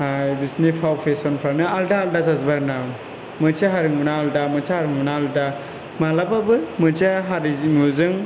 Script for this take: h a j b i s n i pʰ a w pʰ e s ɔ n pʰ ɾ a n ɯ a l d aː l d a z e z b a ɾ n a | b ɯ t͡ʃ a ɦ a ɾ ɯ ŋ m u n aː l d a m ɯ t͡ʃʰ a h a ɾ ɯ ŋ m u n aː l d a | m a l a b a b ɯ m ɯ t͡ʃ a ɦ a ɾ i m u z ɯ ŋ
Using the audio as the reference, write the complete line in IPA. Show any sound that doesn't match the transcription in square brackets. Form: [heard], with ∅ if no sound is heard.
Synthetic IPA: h a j b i s n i pʰ a w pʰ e s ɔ n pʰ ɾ a n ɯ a l d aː l d a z [a] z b a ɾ n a | [m] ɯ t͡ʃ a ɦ a ɾ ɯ ŋ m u n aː l d a m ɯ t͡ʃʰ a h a ɾ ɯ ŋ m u n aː l d a | m a l a b a b ɯ m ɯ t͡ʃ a ɦ a ɾ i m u z ɯ ŋ